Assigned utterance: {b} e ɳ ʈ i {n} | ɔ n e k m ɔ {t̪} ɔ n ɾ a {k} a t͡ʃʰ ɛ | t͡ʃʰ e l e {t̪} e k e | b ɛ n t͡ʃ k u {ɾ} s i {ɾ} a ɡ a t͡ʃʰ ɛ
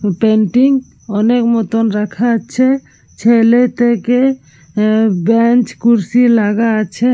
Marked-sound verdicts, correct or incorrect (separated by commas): incorrect, incorrect, correct, incorrect, correct, correct, incorrect